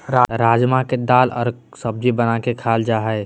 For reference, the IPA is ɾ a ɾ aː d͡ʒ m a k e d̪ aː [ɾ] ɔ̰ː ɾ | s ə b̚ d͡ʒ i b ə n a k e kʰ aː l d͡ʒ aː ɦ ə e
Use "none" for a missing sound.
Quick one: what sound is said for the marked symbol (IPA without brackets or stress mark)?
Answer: l